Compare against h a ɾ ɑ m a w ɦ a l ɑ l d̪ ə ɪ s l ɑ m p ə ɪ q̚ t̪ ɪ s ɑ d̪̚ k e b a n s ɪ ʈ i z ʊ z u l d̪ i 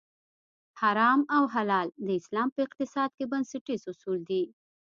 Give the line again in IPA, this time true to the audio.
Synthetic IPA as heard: h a ɾ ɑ m a w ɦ a l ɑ l d̪ ə ɪ s l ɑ m p ə ɪ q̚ t̪ ɪ s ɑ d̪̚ k e b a n s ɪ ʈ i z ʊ s u l d̪ i